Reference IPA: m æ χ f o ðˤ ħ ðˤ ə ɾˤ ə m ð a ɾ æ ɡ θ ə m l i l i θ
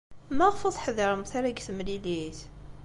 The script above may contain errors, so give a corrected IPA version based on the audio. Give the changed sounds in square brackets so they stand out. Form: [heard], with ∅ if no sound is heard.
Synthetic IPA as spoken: m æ [ʁ] f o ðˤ ħ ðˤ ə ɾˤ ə m [θ] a ɾ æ ɡ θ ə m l i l i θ